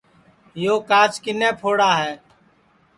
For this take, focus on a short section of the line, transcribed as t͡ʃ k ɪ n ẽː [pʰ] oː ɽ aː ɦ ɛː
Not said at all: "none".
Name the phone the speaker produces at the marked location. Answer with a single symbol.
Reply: pʰ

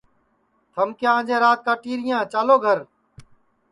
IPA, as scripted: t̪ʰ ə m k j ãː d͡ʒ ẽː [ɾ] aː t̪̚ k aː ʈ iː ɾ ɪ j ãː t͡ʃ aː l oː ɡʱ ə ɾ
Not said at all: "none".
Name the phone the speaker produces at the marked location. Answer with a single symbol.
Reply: ɾ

